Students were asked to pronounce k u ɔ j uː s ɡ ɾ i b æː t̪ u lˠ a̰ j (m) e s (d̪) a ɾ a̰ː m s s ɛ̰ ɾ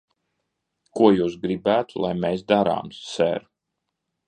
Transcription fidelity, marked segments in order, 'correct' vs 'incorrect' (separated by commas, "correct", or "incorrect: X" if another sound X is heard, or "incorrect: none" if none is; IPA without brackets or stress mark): correct, correct